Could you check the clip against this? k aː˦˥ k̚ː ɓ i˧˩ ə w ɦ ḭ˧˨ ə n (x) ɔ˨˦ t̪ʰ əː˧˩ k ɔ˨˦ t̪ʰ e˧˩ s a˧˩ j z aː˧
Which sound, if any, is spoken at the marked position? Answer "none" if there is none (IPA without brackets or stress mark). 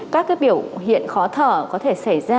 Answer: x